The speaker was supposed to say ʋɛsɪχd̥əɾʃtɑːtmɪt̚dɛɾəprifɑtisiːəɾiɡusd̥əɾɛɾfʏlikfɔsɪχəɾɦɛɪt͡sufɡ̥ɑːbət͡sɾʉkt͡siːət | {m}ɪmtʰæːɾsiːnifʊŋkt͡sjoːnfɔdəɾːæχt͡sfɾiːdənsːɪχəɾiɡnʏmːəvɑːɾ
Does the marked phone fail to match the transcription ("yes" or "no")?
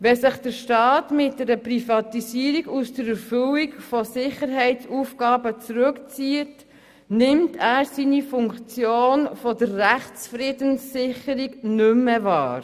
yes